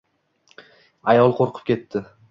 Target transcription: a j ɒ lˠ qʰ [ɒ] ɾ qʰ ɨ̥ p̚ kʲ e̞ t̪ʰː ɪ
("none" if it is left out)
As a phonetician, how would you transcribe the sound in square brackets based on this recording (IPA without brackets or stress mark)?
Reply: o